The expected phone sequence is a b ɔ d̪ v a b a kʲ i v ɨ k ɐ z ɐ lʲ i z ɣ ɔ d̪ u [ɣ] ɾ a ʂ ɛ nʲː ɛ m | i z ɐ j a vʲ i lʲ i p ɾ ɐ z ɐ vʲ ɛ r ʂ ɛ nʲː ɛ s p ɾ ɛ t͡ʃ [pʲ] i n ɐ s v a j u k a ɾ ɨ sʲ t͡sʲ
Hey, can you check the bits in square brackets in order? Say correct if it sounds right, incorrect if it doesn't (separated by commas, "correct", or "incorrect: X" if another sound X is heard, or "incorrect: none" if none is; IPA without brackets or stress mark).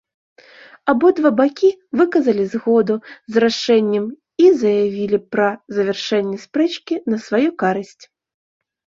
incorrect: z, incorrect: kʲ